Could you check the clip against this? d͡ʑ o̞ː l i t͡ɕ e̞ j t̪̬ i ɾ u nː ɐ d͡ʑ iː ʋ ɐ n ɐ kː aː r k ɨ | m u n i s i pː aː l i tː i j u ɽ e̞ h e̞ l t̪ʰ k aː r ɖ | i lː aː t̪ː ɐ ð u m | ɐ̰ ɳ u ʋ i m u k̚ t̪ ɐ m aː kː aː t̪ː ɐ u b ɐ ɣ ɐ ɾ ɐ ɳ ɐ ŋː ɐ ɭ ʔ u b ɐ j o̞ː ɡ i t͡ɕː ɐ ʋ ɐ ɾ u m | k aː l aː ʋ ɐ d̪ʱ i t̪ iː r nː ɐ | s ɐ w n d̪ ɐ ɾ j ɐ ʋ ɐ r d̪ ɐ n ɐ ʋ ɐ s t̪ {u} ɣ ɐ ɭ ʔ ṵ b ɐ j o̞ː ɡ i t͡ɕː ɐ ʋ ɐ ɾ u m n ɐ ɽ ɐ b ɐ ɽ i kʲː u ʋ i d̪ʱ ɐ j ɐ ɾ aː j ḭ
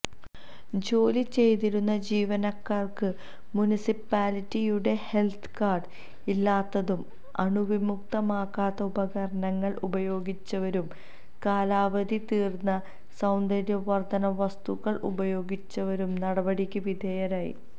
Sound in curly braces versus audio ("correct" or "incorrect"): correct